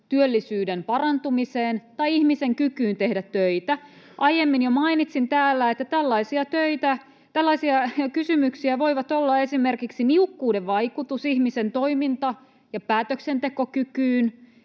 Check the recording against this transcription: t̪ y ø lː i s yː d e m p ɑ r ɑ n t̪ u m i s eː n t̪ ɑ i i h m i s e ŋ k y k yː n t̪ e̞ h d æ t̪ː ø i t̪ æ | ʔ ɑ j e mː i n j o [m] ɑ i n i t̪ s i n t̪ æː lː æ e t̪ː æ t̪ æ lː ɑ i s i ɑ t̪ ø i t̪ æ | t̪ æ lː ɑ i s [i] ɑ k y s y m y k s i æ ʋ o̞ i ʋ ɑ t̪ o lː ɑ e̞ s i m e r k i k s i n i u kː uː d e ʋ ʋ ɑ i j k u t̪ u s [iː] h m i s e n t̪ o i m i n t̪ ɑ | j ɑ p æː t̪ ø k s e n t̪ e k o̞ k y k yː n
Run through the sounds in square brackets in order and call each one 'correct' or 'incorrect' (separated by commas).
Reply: correct, correct, incorrect